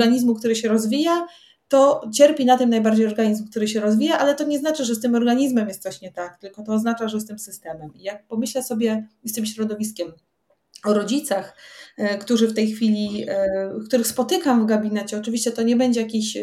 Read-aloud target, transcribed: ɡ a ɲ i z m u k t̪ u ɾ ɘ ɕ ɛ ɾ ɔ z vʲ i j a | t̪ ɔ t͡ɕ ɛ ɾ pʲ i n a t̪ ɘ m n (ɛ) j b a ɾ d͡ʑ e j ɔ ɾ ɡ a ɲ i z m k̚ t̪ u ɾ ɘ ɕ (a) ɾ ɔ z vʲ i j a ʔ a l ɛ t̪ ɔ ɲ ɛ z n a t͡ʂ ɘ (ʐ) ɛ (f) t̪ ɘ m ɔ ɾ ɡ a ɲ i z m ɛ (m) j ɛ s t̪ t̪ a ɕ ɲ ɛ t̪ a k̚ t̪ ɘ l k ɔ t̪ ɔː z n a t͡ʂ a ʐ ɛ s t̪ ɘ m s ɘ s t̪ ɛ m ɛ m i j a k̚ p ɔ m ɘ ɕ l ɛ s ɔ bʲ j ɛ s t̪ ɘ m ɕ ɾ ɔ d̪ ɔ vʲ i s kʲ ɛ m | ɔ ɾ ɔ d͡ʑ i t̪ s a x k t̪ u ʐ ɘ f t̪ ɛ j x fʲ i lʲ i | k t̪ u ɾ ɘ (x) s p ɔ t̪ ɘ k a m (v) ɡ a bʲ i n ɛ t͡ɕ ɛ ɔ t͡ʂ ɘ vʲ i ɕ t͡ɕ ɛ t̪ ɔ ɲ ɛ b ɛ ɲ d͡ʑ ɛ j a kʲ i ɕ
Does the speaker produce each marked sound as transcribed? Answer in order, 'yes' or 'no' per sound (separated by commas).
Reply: no, no, yes, no, yes, yes, yes